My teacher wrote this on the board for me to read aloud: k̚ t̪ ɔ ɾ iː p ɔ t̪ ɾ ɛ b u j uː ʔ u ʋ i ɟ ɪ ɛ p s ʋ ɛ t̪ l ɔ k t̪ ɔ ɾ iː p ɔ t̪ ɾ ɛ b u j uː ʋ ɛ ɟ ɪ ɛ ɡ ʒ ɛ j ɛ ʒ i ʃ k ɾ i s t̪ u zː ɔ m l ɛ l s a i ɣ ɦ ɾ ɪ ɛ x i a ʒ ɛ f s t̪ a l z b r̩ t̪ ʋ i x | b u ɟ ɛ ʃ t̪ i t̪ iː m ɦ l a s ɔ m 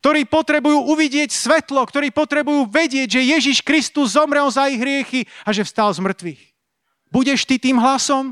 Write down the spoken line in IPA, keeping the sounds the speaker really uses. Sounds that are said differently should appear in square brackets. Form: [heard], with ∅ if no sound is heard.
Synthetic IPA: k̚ t̪ ɔ ɾ iː p ɔ t̪ ɾ ɛ b u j uː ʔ u ʋ i ɟ ɪ ɛ [c] s ʋ ɛ t̪ l ɔ k t̪ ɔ ɾ iː p ɔ t̪ ɾ ɛ b u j uː ʋ ɛ ɟ ɪ ɛ [ɟ] ʒ ɛ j ɛ ʒ i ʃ k ɾ i s t̪ u zː ɔ m [ɾ] ɛ l [z] a i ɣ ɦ ɾ ɪ ɛ x i a ʒ ɛ f s t̪ a l z [m] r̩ t̪ ʋ i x | b u ɟ ɛ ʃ t̪ i t̪ iː m ɦ l a s ɔ m